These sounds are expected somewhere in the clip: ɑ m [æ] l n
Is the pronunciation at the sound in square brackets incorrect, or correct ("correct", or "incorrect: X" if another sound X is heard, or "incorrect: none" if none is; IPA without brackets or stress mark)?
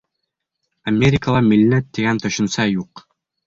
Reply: incorrect: i